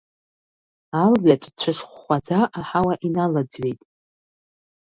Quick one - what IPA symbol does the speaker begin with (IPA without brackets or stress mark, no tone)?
a